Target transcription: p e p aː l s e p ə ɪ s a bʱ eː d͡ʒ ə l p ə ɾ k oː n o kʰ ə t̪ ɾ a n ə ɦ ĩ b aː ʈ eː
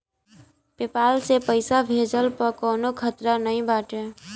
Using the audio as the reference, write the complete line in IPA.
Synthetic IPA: p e p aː l s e p ə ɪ s a bʱ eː d͡ʒ ə l p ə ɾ k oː n o kʰ ə t̪ ɾ a n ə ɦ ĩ b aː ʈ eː